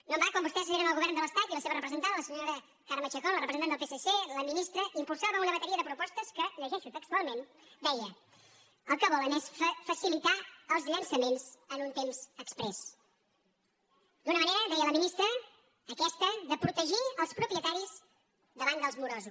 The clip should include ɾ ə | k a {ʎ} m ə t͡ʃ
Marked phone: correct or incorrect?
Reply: incorrect